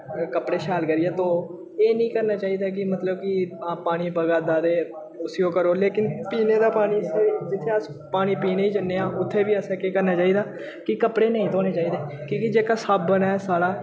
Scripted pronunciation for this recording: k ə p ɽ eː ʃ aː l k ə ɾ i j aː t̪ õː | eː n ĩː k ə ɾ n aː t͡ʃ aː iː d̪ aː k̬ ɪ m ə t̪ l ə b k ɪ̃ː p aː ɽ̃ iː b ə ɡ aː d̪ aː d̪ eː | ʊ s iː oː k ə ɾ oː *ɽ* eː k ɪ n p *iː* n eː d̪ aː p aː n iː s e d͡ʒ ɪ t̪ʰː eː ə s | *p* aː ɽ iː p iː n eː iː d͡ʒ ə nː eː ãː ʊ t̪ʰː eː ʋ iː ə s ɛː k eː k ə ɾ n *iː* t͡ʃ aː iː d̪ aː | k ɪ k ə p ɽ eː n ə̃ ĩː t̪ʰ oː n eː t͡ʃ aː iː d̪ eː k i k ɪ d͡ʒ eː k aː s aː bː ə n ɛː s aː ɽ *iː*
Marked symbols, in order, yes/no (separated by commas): no, yes, yes, no, no